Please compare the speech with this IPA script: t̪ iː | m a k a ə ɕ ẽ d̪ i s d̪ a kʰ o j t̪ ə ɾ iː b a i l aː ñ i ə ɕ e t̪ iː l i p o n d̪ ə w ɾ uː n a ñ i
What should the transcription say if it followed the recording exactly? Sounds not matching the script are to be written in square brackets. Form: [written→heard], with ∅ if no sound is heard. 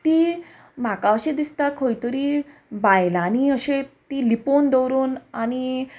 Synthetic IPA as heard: t̪ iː | m a k a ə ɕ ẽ d̪ i s [d̪→t̪] a kʰ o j t̪ ə ɾ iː b a [i→j] l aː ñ i ə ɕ e t̪ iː l i p o n d̪ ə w ɾ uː n a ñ i